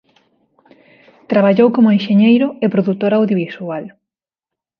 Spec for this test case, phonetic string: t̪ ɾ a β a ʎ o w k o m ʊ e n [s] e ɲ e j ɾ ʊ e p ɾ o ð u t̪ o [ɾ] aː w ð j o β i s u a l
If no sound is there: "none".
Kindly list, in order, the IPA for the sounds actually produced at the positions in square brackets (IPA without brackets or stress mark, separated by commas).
ʃ, ɾ